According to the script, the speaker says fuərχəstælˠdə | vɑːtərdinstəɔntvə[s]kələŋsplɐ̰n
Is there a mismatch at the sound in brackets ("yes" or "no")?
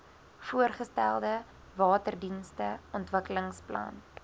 yes